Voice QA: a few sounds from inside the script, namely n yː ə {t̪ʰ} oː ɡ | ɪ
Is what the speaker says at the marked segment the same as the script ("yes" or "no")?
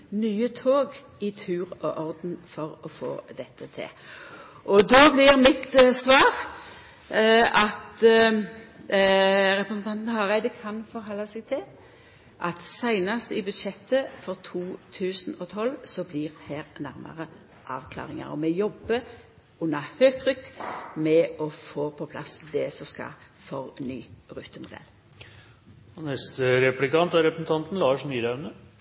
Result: yes